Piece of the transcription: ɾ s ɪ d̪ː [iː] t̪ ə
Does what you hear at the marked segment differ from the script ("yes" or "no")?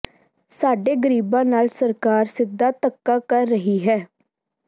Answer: yes